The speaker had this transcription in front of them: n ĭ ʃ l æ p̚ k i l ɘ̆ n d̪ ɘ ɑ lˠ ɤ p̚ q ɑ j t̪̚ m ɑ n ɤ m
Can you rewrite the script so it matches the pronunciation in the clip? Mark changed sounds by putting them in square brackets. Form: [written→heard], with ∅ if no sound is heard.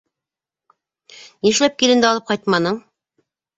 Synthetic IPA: n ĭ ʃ l æ p̚ k i l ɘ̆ n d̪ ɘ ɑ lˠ ɤ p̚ q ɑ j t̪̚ m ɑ n ɤ [m→ɴ]